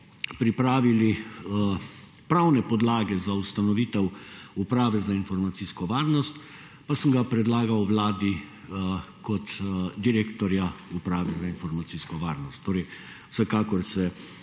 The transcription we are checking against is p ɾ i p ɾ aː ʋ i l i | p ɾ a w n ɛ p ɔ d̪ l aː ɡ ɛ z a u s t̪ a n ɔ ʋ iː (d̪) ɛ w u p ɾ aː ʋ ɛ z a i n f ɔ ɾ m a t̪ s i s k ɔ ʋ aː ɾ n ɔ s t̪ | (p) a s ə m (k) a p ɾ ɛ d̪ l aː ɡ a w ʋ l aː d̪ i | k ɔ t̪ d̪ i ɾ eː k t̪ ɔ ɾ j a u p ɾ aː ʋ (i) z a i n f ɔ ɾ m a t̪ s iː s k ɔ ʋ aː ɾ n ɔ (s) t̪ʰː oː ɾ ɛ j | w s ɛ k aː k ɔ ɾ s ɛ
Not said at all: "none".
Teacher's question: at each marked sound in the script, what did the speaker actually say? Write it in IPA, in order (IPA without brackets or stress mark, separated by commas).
t̪, p, ɡ, ɛ, s